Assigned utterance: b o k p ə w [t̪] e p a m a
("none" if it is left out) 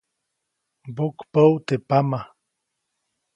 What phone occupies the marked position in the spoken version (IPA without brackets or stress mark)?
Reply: t̪